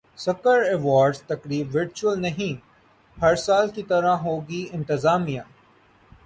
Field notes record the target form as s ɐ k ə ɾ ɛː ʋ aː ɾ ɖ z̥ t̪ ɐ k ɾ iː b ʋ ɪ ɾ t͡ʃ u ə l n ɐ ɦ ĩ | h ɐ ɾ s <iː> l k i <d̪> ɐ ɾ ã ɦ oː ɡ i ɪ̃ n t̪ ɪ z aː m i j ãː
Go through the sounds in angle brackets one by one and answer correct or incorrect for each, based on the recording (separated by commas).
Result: incorrect, incorrect